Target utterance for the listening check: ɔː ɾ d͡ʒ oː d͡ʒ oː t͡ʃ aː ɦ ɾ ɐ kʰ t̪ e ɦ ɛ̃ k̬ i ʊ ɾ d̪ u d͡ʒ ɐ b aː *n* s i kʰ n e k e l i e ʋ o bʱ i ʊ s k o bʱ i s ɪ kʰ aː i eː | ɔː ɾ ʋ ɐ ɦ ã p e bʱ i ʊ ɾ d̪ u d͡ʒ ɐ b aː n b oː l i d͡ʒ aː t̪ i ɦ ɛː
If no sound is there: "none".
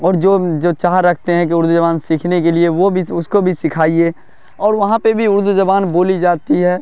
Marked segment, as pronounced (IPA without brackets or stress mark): n